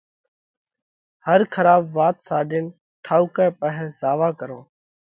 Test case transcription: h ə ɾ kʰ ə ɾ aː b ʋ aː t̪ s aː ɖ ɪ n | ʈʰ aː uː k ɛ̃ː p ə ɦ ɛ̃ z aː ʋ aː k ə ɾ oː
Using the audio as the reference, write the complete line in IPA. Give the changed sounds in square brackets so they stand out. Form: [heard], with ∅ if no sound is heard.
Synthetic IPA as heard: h ə ɾ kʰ ə ɾ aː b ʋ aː t̪ s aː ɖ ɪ n | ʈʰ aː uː k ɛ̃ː p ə ɦ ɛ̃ z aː ʋ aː k ə ɾ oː